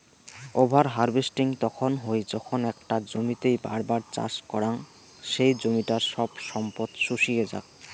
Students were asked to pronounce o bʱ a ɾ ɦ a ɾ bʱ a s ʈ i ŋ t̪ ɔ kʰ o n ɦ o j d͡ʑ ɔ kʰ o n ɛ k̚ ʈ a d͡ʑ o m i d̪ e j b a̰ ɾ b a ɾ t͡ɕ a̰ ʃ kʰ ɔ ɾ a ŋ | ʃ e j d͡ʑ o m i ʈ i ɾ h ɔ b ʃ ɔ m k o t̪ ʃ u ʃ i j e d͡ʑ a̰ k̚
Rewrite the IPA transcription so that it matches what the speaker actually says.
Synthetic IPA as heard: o bʱ a ɾ ɦ a ɾ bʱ e s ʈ i ŋ t̪ ɔ kʰ o n ɦ o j d͡ʑ ɔ kʰ o n ɛ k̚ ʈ a d͡ʑ o m i t̪ e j b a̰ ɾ b a ɾ t͡ɕ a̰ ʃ k ɔ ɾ a ŋ | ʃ e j d͡ʑ o m i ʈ a ɾ ʃ ɔ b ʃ ɔ m p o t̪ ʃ u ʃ i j e d͡ʑ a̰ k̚